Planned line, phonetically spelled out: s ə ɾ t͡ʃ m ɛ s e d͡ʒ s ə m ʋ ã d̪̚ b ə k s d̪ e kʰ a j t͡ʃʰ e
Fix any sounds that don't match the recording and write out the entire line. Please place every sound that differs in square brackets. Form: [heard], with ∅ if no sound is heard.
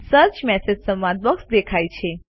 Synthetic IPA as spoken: s ə ɾ t͡ʃ m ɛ s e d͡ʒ s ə m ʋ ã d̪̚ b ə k s d̪ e kʰ a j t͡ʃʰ e